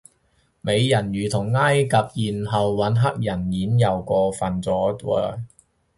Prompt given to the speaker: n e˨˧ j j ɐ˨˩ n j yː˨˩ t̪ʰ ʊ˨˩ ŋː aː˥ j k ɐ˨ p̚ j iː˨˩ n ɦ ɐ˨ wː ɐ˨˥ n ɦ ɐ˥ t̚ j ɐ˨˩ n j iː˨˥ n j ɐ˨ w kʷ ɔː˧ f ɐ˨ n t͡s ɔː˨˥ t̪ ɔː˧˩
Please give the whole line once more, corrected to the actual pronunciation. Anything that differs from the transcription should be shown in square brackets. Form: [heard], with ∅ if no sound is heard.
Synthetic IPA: [m] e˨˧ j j ɐ˨˩ n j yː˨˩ t̪ʰ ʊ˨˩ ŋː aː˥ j k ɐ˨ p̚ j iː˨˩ n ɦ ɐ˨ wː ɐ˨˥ n ɦ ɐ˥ [k̚] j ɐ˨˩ n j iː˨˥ n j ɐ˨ w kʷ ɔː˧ f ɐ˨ n t͡s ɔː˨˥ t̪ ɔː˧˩